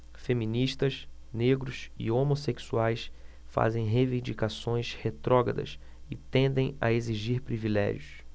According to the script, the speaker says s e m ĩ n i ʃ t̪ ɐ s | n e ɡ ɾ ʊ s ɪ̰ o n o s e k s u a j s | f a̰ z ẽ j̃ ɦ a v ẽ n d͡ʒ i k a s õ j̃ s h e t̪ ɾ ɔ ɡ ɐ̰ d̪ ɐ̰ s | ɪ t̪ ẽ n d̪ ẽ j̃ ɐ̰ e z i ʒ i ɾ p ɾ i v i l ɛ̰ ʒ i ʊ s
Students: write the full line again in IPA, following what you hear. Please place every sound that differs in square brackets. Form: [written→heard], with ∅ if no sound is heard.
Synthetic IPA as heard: [s→f] e m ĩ n i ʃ t̪ ɐ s | n e ɡ ɾ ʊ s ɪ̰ o [n→m] o s e k s u a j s | f a̰ z ẽ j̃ ɦ [a→e] v [ẽ→ĩ] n d͡ʒ i k a s õ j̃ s h e t̪ ɾ ɔ ɡ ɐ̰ d̪ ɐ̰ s | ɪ t̪ ẽ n d̪ ẽ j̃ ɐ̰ e z i ʒ i ɾ p ɾ i v i l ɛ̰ ʒ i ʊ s